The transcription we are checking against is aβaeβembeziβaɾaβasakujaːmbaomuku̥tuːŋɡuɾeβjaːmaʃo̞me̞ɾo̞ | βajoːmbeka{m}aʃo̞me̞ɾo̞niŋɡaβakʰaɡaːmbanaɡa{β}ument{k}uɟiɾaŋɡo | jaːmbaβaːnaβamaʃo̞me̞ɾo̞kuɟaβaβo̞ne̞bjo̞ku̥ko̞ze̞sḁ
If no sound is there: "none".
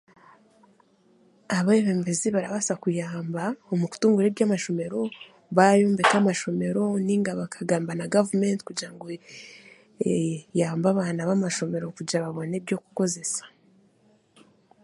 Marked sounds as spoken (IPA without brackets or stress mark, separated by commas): m, v, k